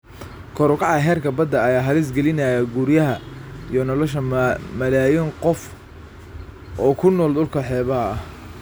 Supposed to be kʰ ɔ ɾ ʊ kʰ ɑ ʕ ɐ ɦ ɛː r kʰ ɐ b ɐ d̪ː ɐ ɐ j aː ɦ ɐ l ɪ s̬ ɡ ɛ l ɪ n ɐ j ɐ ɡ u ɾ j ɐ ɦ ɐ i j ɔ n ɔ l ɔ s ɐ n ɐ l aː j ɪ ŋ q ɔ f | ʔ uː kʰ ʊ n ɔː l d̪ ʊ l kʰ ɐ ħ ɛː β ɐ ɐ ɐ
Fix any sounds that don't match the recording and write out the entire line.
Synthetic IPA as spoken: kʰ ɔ ɾ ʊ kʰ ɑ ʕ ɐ ɦ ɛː r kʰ ɐ b ɐ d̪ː ɐ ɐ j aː ɦ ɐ l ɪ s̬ ɡ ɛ l ɪ n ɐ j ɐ ɡ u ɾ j ɐ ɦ ɐ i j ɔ n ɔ l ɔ ʃ ɐ m ɐ l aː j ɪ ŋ q ɔ f | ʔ ɔː kʰ ʊ n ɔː l d̪ ʊ l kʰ ɐ ħ ɛː β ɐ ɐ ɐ

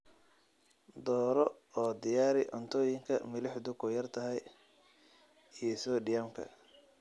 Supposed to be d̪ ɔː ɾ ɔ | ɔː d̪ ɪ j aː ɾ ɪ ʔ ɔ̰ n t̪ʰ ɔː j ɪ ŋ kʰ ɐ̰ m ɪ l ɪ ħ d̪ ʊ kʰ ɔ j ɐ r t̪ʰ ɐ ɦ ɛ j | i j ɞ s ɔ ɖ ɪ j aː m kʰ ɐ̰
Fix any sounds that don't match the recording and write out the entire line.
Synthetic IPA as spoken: d̪ ɔː ɾ ɔ | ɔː d̪ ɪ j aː ɾ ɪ ʔ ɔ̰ n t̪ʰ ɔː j ɪ ŋ kʰ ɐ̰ m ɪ l ɪ ħ d̪ ʊ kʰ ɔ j ɐ r t̪ʰ ɐ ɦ ɛ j | i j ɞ s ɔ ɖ ɪ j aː m kʰ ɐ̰

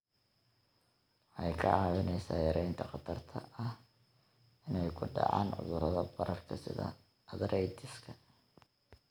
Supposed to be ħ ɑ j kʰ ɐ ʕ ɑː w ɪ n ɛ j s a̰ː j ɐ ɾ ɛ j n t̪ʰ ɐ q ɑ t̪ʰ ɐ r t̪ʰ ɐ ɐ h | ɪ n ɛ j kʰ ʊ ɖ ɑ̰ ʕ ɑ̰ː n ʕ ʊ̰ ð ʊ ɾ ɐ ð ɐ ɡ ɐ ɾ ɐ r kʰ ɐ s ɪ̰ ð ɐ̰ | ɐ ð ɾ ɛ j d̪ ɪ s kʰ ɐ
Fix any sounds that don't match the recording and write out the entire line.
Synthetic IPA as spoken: ħ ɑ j kʰ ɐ ʕ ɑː w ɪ n ɛ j s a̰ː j ɐ ɾ ɛ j n t̪ʰ ɐ q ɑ t̪ʰ ɐ r t̪ʰ ɐ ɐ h | ɪ n ɛ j kʰ ʊ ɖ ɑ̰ ʕ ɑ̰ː n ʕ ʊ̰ ð ʊ ɾ ɐ ð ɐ b ɐ ɾ ɐ r kʰ ɐ s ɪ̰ ð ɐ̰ | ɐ ð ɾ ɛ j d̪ ɪ s kʰ ɐ

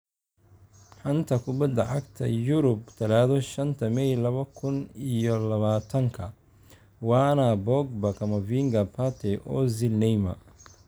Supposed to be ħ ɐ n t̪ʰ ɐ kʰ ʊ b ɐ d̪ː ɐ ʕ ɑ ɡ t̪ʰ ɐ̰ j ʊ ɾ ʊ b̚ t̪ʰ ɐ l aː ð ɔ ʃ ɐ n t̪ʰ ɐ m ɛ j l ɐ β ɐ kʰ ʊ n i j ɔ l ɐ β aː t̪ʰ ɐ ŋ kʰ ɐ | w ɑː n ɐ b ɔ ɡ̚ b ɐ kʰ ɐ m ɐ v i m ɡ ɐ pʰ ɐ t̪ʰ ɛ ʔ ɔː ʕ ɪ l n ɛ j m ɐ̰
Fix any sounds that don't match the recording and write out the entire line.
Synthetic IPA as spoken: ħ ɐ n t̪ʰ ɐ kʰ ʊ b ɐ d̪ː ɐ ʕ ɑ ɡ t̪ʰ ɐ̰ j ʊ ɾ ʊ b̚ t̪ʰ ɐ l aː ð ɔ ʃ ɐ n t̪ʰ ɐ m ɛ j l ɐ β ɐ kʰ ʊ n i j ɔ l ɐ β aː t̪ʰ ɐ ŋ kʰ ɐ | w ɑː n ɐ b ɔ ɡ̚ b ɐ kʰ ɐ m ɐ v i ŋ ɡ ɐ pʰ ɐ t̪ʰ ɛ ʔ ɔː z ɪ l n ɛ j m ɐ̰

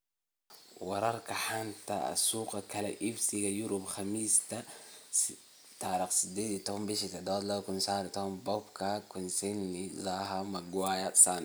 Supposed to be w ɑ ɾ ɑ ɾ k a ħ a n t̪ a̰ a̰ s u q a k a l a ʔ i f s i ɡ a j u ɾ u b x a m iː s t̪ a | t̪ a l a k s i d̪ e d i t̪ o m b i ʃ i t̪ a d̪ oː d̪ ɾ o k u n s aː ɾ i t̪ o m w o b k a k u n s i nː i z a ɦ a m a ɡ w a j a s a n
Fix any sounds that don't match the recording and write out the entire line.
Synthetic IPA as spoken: w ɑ ɾ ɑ ɾ k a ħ a n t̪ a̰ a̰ s u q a k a l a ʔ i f s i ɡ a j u ɾ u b x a m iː s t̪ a | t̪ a ɾ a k s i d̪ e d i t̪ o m b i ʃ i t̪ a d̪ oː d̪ l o k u n s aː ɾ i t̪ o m b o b k a k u n s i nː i z a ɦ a m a ɡ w a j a s a n

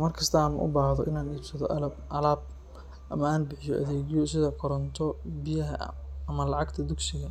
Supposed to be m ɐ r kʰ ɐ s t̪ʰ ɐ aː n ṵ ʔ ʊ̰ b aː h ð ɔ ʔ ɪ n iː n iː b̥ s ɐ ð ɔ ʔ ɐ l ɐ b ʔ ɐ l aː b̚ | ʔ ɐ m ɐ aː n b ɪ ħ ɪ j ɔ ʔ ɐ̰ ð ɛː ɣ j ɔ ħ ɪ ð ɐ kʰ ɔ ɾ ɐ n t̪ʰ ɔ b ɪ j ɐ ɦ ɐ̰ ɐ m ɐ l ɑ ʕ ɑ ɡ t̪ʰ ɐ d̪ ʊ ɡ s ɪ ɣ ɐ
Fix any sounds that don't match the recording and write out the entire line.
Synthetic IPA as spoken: m ɐ r kʰ ɐ s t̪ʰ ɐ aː n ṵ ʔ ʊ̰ b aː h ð ɔ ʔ ɪ n aː n iː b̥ s ɐ ð ɔ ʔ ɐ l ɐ b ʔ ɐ l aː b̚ | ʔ ɐ m ɐ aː n b ɪ ħ ɪ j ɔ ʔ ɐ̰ ð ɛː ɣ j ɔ s ɪ ð ɐ kʰ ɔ ɾ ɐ n t̪ʰ ɔ b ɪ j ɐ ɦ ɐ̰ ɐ m ɐ l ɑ ʕ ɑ ɡ t̪ʰ ɐ d̪ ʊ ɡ s ɪ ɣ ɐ

